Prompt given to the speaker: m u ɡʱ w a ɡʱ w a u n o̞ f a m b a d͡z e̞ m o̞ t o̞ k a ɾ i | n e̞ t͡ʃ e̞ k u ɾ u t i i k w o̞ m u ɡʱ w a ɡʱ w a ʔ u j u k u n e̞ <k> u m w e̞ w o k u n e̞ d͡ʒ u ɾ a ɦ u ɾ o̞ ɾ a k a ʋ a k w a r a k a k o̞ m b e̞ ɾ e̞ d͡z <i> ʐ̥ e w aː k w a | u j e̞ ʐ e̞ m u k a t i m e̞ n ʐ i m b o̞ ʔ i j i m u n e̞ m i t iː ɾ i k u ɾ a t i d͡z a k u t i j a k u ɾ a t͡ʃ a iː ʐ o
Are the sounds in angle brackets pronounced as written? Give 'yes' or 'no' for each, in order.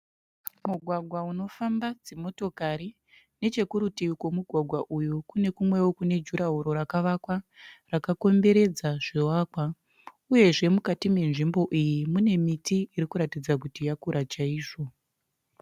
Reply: yes, no

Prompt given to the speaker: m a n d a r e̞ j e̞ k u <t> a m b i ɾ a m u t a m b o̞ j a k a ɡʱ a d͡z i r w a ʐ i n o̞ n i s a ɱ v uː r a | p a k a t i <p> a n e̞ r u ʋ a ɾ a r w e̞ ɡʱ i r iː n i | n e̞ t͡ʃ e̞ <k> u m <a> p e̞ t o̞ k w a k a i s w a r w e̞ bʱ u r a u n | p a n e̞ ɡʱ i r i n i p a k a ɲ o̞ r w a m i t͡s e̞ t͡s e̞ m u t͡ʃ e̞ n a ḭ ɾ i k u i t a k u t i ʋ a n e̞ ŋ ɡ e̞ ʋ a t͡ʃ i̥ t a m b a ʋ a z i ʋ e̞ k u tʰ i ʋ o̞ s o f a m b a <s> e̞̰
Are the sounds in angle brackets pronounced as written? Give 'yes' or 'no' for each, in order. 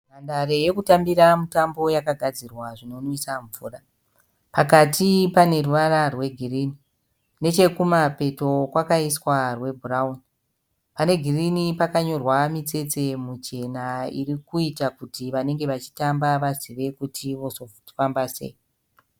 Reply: yes, yes, yes, yes, yes

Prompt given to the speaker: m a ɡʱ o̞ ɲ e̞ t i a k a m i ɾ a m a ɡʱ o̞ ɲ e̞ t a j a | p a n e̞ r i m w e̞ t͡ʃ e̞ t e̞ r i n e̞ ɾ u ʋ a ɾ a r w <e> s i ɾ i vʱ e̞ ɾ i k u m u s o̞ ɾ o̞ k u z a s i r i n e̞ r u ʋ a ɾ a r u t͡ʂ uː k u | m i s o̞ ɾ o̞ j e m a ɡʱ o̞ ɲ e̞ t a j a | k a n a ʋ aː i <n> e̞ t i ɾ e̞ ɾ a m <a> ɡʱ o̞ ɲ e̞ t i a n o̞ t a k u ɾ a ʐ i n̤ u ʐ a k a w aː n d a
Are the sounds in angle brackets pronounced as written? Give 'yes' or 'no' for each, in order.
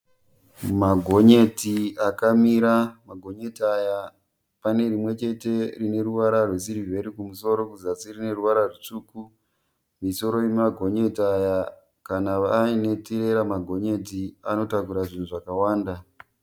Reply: yes, yes, yes

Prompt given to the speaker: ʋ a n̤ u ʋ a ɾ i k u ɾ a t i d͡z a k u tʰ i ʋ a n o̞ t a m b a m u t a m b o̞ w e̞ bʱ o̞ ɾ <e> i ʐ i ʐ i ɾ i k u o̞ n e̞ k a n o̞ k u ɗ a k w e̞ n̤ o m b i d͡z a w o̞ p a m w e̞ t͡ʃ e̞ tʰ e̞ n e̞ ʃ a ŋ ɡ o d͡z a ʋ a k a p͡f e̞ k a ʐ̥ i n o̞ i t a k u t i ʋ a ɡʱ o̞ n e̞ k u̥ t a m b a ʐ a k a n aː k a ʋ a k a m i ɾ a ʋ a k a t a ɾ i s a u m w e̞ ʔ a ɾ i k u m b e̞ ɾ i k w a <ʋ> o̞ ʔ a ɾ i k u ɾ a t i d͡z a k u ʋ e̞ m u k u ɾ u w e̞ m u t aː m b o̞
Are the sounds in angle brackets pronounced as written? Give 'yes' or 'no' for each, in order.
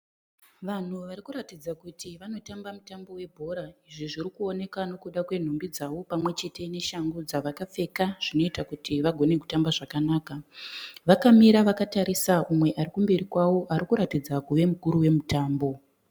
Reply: no, no

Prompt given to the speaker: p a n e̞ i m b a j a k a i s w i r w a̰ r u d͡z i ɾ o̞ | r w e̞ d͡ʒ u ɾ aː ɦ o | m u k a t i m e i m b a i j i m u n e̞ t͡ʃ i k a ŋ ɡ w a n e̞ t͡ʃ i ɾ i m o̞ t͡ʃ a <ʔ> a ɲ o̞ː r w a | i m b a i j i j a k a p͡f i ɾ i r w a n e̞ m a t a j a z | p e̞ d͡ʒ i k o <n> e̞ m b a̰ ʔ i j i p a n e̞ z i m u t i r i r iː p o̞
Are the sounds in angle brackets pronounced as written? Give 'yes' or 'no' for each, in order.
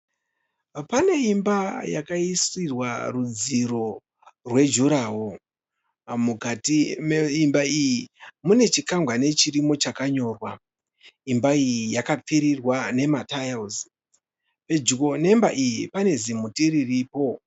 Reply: no, yes

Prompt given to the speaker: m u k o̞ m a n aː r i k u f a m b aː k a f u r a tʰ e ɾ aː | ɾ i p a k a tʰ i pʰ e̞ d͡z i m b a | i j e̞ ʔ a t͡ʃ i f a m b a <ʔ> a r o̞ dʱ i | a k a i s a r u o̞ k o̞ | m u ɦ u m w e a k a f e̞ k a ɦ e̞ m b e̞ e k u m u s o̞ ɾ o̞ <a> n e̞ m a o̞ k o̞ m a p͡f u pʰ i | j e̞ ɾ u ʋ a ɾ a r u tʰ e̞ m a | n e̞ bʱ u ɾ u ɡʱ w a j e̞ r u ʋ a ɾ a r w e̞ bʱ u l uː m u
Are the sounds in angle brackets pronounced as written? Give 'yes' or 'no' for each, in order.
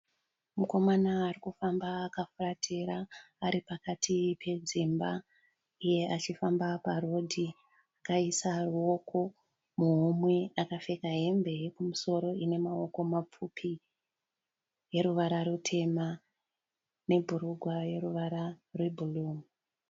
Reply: no, no

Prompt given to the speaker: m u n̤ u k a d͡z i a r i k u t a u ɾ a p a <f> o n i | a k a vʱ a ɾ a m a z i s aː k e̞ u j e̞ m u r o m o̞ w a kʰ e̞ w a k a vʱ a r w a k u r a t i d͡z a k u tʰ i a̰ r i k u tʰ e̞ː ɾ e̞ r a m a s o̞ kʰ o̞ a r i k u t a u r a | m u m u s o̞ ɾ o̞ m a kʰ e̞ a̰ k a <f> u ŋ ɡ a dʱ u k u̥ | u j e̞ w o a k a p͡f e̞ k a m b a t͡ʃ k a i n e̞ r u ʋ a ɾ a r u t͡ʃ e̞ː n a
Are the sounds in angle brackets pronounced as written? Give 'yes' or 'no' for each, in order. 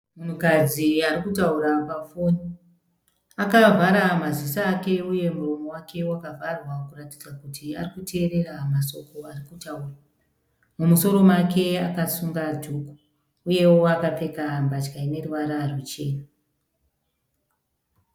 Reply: yes, no

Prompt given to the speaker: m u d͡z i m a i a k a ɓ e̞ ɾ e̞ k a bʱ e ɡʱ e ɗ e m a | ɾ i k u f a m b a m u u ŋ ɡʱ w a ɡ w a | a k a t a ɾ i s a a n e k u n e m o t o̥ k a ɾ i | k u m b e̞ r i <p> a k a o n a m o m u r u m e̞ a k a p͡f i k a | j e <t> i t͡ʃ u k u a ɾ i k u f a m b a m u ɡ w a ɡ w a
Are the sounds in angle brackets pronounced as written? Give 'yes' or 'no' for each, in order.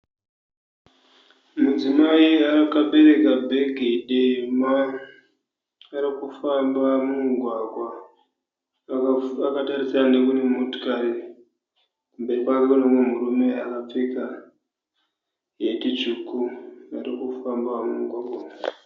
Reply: yes, yes

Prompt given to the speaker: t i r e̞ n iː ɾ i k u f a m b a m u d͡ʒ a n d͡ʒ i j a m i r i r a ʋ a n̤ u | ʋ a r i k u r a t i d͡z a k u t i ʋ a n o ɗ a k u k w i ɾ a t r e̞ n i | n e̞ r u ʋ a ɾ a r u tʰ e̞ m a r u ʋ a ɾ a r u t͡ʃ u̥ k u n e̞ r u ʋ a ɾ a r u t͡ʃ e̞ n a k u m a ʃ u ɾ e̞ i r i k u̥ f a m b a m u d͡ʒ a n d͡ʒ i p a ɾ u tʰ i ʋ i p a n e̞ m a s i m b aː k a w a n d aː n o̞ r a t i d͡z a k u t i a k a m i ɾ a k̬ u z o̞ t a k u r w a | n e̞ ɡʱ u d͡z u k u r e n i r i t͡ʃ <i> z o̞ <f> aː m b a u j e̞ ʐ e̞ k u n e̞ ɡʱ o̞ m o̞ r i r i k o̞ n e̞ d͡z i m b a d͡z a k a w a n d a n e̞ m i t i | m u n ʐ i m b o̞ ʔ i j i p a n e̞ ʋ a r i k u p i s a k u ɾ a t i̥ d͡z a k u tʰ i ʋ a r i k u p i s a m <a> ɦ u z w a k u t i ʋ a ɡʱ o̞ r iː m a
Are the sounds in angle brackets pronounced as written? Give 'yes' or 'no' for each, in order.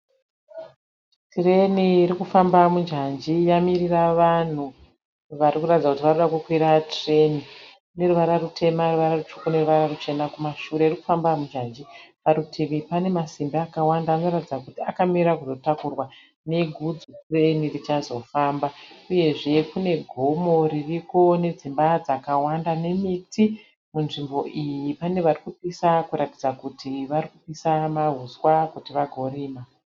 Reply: no, yes, yes

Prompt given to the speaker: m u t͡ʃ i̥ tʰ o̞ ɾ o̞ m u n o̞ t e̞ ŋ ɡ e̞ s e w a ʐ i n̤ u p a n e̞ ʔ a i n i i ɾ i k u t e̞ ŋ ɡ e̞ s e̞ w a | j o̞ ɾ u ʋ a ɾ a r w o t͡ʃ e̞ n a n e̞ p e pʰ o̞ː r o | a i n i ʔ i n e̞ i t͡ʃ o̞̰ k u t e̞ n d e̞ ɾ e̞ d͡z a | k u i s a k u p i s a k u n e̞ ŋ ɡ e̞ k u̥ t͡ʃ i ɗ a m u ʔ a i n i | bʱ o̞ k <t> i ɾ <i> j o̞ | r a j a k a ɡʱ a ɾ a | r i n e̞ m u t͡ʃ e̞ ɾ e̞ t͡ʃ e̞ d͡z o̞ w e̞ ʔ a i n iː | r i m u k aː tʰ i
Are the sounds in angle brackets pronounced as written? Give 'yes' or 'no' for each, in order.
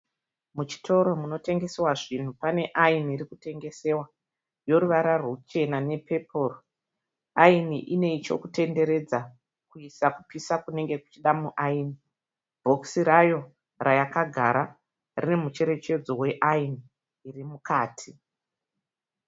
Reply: no, no

